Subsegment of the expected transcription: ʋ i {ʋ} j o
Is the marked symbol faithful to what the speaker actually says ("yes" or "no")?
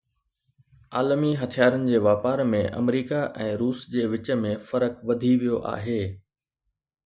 no